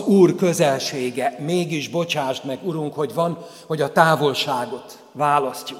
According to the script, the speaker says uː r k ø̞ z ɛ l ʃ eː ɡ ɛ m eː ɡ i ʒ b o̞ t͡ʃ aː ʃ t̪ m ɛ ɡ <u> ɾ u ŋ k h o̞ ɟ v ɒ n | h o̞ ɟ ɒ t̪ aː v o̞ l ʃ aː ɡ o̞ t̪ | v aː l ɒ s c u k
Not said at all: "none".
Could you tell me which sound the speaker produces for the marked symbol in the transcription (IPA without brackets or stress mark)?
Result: u